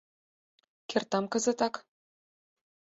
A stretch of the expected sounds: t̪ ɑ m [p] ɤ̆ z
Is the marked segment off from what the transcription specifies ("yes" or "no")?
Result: yes